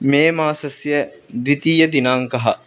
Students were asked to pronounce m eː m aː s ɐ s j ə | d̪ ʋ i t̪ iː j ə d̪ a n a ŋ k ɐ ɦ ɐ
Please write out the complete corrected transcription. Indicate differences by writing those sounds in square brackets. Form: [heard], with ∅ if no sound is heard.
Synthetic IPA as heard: m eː m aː s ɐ s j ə | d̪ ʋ i t̪ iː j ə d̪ [i] n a ŋ k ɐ ɦ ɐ